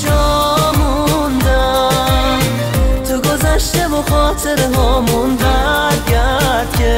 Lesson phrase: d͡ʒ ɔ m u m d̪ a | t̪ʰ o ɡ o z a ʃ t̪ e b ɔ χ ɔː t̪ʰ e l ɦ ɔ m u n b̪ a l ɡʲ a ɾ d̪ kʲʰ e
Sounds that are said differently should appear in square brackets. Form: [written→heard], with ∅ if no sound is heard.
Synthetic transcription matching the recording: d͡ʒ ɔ m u [m→n] d̪ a | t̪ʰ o ɡ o z a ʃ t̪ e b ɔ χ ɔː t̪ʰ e [l→ɾ] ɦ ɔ m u n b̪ a [l→ɾ] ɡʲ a ɾ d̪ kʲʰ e